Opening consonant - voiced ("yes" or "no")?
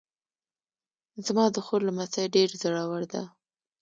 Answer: yes